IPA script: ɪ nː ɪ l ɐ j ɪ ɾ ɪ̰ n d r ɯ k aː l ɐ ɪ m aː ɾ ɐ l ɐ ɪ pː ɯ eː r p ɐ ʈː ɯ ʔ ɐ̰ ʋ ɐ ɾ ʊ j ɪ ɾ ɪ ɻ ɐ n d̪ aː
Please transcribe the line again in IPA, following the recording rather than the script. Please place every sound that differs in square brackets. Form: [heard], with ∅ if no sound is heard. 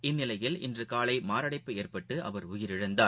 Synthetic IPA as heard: ɪ nː ɪ l ɐ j ɪ [l] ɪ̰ n d r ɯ k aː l ɐ ɪ m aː ɾ ɐ [ɽ] ɐ ɪ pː ɯ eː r p ɐ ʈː ɯ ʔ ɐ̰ ʋ ɐ ɾ ʊ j ɪ ɾ ɪ ɻ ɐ n d̪ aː